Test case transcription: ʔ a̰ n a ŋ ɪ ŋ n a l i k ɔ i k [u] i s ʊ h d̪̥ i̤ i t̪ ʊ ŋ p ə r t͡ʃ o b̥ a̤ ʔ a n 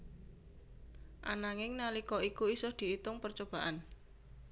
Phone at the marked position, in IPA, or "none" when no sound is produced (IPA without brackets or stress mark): u